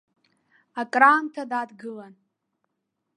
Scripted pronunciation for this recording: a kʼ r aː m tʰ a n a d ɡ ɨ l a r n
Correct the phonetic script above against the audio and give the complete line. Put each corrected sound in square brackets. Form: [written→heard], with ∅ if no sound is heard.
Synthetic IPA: a kʼ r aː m tʰ a [n→d] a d ɡ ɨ l a [r→∅] n